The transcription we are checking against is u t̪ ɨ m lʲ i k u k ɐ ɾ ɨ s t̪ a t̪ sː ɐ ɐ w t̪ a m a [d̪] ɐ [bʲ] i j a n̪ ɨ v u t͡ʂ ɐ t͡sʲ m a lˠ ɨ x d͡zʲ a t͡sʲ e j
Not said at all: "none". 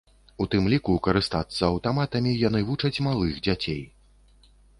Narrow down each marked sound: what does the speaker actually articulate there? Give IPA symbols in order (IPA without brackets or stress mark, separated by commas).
t̪, mʲ